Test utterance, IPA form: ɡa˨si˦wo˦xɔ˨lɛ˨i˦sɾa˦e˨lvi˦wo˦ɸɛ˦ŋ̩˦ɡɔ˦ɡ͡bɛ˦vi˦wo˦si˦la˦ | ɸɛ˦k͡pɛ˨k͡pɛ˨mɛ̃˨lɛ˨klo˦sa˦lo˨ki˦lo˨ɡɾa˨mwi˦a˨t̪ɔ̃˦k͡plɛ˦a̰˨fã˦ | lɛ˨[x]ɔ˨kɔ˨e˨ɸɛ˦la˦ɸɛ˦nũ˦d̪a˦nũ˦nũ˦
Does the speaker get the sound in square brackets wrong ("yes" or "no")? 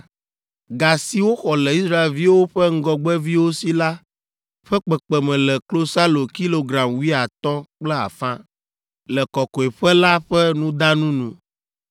yes